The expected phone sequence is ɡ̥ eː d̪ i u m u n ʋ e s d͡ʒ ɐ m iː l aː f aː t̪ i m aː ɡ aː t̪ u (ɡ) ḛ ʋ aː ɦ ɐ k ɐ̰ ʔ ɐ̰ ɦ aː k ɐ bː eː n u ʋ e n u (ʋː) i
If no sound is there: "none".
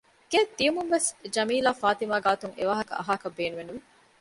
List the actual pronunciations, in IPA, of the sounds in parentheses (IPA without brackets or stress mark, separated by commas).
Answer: ŋ, ʋ